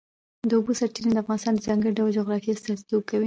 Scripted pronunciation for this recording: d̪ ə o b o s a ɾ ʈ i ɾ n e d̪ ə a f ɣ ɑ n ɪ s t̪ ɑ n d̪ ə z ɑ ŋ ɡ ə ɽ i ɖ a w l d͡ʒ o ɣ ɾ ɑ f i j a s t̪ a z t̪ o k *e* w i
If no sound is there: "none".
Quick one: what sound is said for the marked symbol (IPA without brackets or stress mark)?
a